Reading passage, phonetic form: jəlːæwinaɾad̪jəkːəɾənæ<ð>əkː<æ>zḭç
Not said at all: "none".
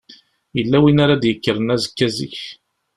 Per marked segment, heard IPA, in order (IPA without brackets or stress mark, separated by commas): z, æ